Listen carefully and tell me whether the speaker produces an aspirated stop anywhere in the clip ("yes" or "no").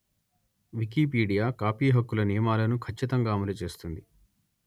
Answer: yes